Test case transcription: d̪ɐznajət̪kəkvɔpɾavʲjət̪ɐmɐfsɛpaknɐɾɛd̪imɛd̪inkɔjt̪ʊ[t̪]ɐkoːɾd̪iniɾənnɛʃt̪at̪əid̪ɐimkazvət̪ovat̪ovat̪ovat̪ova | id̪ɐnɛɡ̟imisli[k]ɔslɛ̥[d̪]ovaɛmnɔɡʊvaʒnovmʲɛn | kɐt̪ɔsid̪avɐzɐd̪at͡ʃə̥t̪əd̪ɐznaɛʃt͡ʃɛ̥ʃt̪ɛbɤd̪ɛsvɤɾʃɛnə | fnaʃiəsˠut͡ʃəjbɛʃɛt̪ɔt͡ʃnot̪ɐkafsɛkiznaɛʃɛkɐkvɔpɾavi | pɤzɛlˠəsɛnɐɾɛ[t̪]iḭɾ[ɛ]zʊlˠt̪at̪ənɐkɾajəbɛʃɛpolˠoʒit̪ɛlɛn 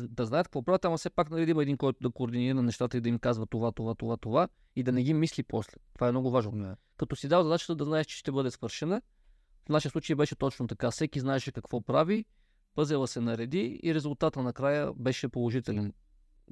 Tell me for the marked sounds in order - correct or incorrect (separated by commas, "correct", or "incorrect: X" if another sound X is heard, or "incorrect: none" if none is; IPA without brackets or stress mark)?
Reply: incorrect: d̪, incorrect: p, incorrect: t̪, incorrect: d̪, correct